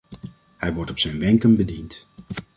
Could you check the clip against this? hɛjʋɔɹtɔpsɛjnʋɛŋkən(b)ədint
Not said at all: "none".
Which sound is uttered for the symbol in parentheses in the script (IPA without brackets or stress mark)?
b